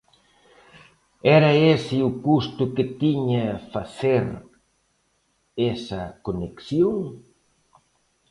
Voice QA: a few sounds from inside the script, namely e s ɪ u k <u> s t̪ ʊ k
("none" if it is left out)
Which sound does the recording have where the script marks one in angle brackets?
u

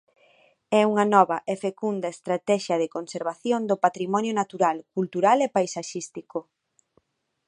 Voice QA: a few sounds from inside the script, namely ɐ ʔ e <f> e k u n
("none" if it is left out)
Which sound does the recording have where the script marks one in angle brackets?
f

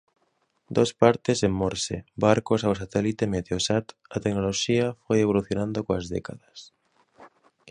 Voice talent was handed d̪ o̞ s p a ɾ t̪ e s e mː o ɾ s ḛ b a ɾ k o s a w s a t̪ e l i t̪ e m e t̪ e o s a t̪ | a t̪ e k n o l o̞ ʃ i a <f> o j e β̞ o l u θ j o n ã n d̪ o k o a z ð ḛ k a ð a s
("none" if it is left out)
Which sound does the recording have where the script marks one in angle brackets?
f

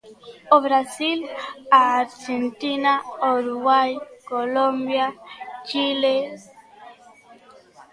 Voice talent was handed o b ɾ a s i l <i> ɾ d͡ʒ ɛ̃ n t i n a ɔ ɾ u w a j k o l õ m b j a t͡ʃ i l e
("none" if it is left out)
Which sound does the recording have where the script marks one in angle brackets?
a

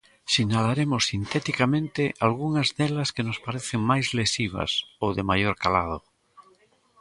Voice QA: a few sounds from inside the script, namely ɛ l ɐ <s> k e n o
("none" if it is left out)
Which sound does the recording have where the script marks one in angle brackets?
s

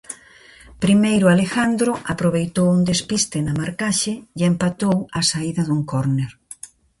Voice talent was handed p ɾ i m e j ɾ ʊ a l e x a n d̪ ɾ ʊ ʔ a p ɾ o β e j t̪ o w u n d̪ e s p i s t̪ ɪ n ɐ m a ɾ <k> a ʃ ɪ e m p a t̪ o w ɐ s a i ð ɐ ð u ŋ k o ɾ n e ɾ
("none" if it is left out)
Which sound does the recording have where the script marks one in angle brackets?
k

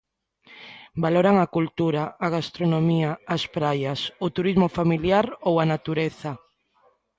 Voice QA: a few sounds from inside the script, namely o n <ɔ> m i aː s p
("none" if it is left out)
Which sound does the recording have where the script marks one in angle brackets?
o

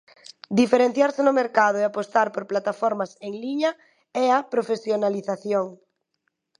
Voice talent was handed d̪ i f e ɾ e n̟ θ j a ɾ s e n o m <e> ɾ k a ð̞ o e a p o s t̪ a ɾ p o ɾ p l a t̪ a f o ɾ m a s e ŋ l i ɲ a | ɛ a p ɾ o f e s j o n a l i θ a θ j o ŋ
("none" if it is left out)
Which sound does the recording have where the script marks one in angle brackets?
e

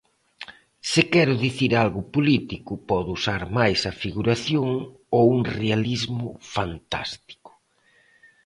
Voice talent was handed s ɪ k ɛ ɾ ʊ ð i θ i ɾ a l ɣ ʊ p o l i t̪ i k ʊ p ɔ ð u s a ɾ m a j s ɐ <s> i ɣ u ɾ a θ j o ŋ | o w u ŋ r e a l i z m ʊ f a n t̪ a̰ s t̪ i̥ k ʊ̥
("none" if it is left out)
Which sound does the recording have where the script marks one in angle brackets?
f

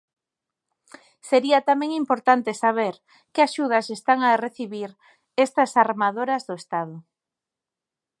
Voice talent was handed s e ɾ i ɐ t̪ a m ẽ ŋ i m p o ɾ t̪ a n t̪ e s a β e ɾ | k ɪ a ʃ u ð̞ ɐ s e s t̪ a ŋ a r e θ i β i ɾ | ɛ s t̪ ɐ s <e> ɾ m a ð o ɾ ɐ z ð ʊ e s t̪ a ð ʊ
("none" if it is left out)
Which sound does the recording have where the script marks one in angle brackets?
a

